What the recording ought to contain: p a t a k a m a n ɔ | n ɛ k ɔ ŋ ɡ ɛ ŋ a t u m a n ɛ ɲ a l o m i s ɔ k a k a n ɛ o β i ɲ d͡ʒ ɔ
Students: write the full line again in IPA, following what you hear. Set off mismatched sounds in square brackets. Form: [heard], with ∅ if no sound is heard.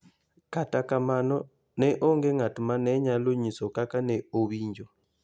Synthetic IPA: [k] a t a k a m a n ɔ | n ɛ [ʔ] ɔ ŋ ɡ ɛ ŋ a t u m a n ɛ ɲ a l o [ɲ] i s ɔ k a k a n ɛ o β i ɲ d͡ʒ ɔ